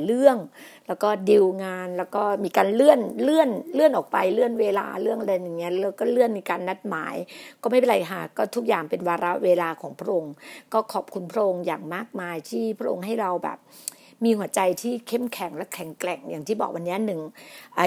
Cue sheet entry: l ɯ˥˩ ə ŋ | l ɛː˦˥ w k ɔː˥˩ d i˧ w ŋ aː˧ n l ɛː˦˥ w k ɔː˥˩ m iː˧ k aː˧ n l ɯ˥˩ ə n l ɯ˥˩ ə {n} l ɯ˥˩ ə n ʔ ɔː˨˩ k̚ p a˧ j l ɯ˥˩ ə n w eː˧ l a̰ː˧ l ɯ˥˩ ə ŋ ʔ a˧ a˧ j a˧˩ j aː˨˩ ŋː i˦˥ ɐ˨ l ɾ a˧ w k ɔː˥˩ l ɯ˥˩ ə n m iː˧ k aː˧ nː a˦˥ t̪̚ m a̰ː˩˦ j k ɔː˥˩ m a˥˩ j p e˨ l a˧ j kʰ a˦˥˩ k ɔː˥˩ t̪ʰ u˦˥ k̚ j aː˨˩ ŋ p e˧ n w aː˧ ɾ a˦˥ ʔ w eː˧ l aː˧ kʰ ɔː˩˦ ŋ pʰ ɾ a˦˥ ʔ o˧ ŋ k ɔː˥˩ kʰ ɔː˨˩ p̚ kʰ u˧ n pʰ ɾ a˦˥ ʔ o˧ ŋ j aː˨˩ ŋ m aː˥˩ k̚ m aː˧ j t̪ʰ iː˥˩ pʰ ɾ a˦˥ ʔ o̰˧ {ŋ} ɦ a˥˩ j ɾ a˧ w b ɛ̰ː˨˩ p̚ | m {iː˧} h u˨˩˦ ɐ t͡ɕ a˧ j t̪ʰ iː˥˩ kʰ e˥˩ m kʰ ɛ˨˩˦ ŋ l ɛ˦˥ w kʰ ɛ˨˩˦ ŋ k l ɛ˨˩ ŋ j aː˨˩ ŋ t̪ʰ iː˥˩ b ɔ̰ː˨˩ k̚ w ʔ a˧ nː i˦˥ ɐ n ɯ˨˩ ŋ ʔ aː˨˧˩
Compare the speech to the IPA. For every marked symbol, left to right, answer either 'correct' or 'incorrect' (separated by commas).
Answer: correct, correct, correct